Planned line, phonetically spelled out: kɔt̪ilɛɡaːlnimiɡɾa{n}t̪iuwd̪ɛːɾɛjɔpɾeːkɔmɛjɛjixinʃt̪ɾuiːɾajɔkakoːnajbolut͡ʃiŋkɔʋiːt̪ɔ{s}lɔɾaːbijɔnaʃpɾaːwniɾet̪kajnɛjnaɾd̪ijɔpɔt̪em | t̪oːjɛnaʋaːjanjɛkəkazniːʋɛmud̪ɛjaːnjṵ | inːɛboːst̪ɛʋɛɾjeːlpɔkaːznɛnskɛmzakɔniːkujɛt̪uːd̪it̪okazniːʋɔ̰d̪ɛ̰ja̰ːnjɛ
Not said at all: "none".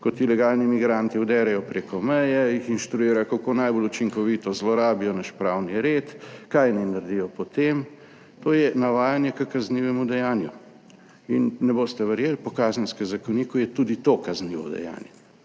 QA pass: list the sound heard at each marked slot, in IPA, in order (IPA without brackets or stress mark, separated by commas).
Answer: n, z